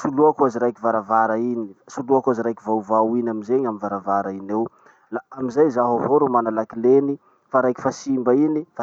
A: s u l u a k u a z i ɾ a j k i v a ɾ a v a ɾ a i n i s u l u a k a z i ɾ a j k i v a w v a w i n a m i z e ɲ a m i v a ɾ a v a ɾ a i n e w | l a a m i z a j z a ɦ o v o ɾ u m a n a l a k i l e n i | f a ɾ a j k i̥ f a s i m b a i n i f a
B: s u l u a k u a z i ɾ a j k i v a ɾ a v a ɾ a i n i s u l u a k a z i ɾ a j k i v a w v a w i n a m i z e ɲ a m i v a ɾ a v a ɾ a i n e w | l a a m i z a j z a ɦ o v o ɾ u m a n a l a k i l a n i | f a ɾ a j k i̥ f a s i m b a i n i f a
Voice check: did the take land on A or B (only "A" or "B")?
A